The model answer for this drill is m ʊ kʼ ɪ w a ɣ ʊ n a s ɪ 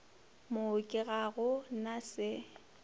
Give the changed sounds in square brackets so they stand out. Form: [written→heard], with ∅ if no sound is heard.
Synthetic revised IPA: m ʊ kʼ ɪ [w→ɣ] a ɣ ʊ n a s ɪ